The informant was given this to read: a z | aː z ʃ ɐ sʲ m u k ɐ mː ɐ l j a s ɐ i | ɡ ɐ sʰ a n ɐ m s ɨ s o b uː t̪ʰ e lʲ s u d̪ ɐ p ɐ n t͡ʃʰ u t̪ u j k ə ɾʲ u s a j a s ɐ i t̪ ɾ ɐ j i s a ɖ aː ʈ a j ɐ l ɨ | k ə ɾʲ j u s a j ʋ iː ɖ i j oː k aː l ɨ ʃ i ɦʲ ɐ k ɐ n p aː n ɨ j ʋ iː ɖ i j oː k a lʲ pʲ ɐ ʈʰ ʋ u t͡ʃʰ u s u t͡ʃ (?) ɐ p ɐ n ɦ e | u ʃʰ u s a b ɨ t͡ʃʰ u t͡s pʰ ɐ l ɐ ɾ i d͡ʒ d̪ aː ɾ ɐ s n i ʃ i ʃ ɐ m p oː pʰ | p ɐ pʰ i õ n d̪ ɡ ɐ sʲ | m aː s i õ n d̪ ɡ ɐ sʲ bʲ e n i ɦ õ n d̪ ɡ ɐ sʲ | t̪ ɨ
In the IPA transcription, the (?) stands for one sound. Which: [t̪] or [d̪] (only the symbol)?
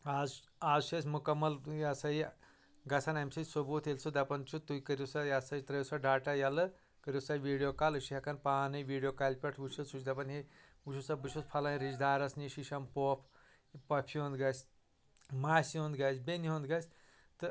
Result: d̪